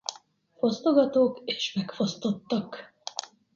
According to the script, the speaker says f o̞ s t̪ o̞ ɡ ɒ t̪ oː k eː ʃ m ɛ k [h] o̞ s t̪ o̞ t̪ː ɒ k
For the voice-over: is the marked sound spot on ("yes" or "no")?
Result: no